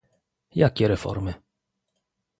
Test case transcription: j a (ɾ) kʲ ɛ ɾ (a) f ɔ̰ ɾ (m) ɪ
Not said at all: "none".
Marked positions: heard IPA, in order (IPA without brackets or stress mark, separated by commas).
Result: none, ɛ, m